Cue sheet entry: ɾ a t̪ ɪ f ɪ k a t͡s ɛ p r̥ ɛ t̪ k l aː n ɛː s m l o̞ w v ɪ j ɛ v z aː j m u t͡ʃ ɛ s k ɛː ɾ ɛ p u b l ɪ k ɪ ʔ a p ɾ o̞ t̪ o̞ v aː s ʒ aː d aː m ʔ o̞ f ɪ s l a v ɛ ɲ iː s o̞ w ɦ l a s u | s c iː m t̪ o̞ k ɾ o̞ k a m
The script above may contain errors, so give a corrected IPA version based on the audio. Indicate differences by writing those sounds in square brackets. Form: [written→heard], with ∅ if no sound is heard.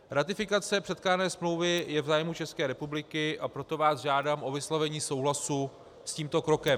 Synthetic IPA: ɾ a t̪ ɪ f ɪ k a t͡s ɛ p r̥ ɛ t̪ k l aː n ɛː s m l o̞ w v ɪ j ɛ v z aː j m u t͡ʃ ɛ s k ɛː ɾ ɛ p u b l ɪ k ɪ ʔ a p ɾ o̞ t̪ o̞ v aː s ʒ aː d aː m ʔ o̞ [f→v] ɪ s l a v ɛ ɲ iː s o̞ w ɦ l a s u | s c iː m t̪ o̞ k ɾ o̞ k [a→ɛ] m